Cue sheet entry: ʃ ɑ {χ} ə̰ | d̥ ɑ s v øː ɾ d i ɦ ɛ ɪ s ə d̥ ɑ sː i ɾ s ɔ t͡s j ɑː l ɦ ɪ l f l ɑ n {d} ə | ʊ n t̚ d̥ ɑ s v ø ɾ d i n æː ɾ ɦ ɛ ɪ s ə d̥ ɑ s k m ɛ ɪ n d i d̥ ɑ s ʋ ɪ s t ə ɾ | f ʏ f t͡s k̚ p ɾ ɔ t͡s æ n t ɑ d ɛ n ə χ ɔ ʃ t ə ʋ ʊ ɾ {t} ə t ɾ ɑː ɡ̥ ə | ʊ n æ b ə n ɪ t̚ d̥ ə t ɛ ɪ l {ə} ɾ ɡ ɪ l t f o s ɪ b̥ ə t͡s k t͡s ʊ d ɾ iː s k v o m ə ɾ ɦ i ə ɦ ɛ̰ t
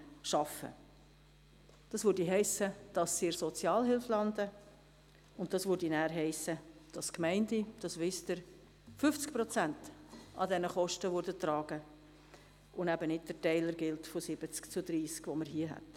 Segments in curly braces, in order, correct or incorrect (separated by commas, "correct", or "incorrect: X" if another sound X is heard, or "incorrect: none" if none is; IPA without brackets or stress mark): incorrect: f, correct, incorrect: d, correct